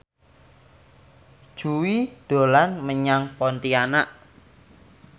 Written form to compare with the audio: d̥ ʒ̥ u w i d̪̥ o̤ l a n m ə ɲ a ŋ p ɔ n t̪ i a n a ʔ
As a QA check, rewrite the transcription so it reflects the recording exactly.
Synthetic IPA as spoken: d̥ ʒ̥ u w i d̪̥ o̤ l a n m ə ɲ a ŋ p ɔ n t̪ i a n a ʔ